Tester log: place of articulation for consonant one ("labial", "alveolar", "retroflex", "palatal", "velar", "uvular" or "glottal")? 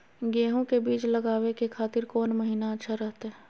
velar